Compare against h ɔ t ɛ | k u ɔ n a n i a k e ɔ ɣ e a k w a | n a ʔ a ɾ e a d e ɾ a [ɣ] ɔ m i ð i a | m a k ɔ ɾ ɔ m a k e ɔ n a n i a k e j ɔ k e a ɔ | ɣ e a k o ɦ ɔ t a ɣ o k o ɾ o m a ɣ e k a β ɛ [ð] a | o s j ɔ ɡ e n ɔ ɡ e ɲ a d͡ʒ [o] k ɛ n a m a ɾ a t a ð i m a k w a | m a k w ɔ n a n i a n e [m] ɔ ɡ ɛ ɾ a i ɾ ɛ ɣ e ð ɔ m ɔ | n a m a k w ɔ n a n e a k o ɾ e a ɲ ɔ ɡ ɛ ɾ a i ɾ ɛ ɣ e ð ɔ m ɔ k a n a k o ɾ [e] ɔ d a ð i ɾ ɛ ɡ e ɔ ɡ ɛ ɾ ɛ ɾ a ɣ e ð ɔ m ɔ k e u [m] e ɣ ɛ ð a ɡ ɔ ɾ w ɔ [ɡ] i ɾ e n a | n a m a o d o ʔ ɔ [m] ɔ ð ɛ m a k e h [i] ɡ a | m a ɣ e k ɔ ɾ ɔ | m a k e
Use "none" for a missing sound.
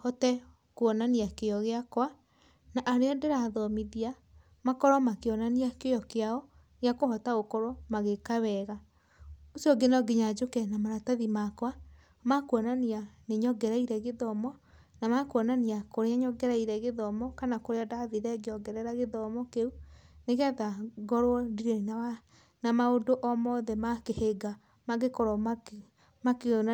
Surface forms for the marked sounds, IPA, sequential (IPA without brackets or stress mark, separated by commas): ð, ɣ, o, ɲ, e, n, d, m, e